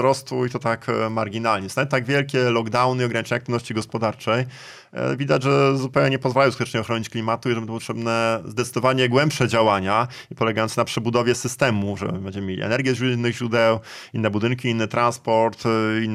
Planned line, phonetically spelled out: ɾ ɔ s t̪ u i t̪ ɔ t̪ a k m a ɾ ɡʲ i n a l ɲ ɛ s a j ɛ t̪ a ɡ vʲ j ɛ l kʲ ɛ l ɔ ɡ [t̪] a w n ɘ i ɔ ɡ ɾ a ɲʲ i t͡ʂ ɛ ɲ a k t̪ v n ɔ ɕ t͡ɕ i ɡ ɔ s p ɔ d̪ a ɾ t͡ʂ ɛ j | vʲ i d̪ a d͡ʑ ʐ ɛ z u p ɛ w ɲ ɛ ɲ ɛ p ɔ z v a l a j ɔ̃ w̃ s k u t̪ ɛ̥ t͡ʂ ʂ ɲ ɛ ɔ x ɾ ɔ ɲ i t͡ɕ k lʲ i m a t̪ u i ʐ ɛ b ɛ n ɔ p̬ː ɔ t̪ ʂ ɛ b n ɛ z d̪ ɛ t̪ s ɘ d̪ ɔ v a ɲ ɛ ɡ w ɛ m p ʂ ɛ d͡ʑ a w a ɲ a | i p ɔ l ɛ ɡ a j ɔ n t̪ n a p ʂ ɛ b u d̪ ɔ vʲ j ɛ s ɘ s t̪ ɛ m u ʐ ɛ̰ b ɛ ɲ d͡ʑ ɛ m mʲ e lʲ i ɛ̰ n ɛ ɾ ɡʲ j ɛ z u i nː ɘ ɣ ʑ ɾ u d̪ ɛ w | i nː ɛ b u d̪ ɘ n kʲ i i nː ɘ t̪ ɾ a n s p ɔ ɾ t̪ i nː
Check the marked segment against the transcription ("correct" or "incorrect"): incorrect